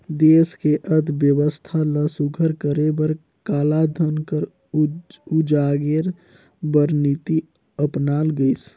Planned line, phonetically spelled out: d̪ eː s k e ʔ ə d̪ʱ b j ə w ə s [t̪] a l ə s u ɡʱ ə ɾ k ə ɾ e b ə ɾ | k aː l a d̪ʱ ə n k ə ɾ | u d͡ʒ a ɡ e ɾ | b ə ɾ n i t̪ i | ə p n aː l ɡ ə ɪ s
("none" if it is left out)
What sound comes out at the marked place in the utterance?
t̪ʰ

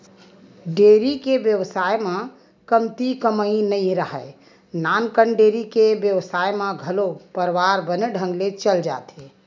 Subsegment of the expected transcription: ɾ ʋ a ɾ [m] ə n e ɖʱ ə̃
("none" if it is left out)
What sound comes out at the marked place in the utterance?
b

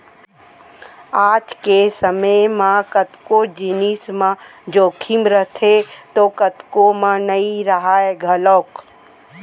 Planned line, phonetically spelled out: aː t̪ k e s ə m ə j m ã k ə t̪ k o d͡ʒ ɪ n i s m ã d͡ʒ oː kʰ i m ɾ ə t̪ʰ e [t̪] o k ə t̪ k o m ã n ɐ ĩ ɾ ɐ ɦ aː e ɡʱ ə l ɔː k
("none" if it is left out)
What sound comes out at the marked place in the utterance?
t̪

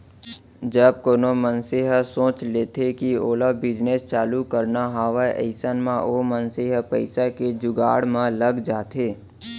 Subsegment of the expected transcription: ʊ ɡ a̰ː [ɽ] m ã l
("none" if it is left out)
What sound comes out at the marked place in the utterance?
ɽ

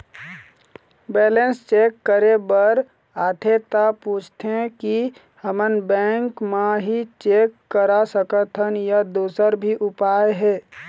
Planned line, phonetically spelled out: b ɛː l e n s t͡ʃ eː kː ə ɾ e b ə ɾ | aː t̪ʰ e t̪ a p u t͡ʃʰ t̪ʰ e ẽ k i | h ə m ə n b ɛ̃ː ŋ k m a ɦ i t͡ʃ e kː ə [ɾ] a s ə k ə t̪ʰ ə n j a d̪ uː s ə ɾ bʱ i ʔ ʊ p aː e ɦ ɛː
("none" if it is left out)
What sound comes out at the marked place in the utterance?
ɾ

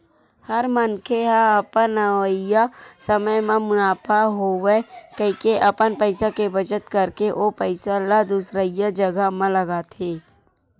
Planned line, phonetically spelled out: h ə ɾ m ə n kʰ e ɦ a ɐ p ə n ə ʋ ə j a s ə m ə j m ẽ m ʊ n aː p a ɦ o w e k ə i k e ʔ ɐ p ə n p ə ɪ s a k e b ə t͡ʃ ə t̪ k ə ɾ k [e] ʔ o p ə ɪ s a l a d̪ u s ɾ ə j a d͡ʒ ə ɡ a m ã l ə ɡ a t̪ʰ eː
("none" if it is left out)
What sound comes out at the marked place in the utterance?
e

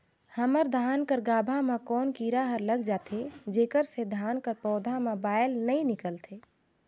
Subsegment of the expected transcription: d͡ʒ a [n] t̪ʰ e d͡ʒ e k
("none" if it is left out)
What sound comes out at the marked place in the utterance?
none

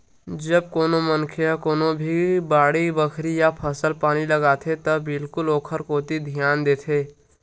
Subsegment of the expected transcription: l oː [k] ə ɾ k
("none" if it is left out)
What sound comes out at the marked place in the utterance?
kʰ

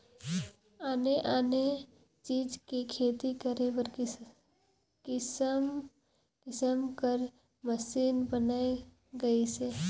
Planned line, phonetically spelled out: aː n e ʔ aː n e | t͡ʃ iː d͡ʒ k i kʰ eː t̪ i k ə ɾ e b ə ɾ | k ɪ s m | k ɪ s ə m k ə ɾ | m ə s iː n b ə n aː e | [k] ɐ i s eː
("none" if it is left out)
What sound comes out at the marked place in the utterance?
ɡ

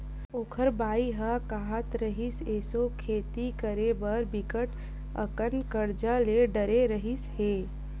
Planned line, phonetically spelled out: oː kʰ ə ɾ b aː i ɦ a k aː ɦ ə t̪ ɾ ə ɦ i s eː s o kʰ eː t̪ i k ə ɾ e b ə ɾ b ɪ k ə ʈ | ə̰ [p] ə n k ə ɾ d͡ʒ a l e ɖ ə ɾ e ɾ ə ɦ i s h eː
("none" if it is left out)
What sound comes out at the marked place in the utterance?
k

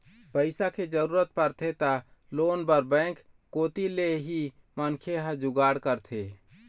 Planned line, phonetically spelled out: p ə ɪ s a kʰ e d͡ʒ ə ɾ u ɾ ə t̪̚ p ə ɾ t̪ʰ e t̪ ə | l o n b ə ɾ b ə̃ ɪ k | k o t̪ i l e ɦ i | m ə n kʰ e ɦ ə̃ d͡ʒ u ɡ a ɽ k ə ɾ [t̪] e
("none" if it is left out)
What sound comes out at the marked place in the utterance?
t̪ʰ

